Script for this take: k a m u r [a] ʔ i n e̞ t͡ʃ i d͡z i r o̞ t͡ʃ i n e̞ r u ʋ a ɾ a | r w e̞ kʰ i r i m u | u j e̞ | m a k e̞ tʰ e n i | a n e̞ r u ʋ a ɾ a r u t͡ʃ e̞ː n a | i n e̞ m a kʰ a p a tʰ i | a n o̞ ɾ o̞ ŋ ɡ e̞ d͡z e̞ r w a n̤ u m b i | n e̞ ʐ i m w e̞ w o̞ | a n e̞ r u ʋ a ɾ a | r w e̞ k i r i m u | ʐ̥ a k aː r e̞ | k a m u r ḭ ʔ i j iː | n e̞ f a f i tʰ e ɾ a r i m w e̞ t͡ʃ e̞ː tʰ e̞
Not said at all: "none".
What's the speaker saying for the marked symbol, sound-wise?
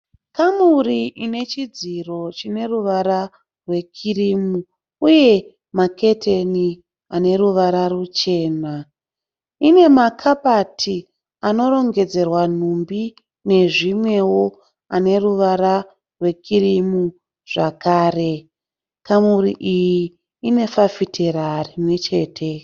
i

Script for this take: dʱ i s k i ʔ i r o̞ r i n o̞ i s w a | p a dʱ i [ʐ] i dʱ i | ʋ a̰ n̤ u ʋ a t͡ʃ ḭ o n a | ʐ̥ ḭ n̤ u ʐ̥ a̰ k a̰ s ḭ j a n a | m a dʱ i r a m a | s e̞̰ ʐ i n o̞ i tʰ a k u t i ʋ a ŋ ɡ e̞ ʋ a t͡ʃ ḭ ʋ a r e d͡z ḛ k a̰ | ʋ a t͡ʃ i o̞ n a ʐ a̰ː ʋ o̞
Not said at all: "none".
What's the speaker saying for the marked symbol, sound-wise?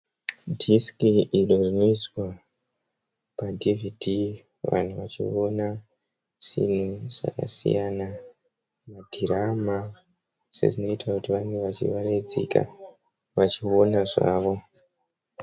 v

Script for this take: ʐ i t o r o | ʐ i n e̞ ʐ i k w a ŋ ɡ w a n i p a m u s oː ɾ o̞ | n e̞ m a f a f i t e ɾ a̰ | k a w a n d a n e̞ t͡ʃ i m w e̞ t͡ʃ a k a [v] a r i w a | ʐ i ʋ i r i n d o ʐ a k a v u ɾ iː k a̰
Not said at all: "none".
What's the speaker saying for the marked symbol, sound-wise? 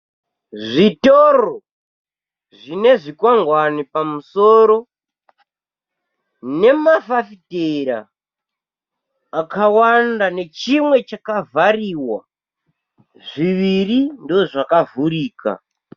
v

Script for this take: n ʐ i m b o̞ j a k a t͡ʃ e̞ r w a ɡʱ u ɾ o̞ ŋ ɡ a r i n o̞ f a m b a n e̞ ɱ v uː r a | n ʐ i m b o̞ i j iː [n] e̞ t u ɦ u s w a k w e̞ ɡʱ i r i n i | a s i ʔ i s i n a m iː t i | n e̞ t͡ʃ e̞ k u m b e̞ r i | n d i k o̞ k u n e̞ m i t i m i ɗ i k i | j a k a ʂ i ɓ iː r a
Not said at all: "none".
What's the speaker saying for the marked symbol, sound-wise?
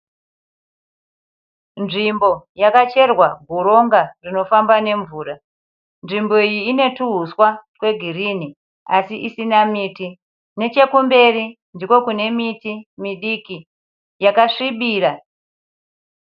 n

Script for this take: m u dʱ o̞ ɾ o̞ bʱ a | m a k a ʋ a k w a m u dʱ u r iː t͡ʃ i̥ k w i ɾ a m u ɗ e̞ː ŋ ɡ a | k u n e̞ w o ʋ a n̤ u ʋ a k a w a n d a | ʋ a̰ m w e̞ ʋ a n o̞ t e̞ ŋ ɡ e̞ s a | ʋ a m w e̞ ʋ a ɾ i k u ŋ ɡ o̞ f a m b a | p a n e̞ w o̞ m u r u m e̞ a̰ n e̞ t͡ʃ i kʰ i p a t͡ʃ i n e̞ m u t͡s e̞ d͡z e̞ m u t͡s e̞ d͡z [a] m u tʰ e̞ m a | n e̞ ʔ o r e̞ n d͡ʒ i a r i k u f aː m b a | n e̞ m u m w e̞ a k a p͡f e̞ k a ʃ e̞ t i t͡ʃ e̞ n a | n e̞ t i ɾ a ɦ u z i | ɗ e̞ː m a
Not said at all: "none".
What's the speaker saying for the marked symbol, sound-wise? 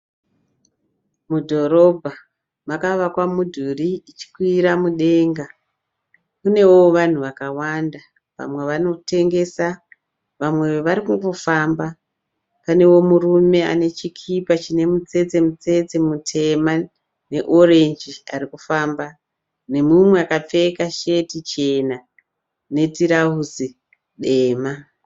e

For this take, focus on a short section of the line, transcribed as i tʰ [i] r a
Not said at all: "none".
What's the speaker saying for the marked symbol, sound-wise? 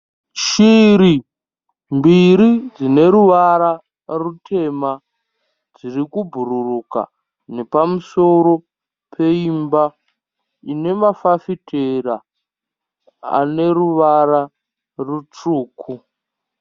e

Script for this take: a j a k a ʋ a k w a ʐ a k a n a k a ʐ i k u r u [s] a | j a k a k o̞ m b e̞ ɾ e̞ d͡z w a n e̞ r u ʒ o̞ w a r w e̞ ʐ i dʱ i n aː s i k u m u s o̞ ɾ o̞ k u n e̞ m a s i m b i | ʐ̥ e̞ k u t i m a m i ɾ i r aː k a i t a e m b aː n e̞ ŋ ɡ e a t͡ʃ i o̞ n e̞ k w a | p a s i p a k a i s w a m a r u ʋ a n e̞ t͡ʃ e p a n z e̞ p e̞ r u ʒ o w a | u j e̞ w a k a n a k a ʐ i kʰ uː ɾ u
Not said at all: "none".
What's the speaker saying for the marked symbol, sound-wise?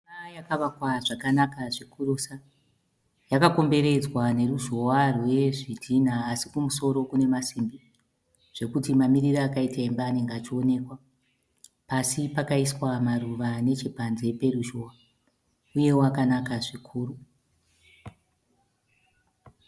s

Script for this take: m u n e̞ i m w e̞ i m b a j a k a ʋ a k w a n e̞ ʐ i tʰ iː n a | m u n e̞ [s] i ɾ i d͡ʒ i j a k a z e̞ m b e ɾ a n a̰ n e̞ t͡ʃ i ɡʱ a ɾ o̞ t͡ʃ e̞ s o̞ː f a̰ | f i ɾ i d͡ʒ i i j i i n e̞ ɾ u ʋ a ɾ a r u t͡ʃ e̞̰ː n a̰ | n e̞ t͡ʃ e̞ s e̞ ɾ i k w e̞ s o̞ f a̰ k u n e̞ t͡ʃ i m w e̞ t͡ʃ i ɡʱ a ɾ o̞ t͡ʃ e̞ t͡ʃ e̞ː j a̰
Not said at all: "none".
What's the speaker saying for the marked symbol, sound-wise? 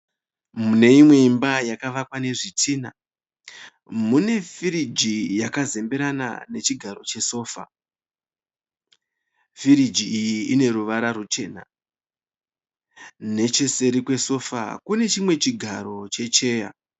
f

